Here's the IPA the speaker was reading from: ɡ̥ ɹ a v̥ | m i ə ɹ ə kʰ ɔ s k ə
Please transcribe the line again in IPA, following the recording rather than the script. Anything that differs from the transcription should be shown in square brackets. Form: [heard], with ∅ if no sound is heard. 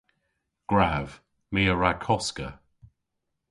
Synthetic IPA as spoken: ɡ̥ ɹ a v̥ | m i ə ɹ [a] kʰ ɔ s k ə